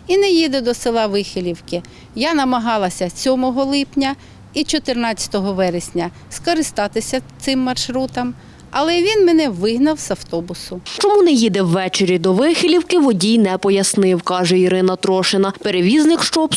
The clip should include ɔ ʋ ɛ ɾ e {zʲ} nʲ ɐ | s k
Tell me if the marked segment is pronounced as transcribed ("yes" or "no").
no